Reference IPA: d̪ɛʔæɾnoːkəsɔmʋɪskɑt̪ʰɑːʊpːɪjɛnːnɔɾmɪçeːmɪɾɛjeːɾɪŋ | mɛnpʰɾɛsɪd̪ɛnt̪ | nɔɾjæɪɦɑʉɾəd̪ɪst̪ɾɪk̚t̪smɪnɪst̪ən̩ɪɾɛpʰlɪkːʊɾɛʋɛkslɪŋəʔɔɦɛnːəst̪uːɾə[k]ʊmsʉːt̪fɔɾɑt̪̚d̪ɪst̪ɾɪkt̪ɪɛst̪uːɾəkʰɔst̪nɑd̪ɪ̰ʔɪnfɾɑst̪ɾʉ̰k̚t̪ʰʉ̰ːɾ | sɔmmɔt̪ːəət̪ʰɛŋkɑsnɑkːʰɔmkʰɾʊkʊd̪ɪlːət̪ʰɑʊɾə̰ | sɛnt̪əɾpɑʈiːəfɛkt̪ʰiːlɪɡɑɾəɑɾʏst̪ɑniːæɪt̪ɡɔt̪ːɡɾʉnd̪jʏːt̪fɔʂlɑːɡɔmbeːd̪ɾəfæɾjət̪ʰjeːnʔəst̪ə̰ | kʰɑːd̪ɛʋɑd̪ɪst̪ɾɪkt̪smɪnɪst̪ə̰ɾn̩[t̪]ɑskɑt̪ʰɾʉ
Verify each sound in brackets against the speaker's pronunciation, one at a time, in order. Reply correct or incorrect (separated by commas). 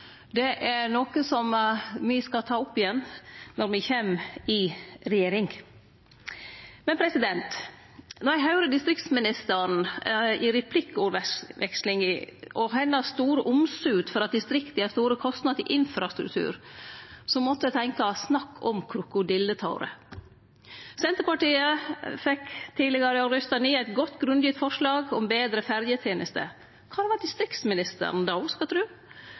incorrect, incorrect